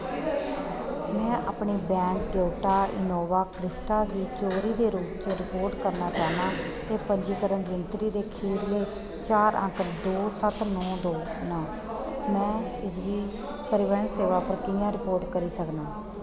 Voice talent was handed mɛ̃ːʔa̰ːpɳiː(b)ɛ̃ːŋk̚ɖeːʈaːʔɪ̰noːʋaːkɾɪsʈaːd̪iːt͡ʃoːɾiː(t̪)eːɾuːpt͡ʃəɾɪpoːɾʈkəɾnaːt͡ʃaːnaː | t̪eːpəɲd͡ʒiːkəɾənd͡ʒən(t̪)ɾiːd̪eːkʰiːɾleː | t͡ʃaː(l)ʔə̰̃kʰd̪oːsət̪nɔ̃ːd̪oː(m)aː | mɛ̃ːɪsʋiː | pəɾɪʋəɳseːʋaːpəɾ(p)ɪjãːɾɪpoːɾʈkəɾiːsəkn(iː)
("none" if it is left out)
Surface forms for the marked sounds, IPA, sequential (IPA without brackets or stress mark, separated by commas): b, d̪, t̪, ɾ, n, k, aː